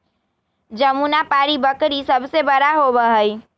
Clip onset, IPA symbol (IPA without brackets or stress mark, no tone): d͡ʒ